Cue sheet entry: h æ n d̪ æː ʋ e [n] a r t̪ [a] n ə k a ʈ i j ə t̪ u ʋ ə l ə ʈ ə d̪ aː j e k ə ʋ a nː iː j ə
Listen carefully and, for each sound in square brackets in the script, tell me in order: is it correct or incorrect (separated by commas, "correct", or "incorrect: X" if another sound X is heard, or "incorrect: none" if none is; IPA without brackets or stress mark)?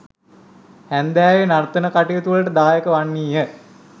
correct, incorrect: ə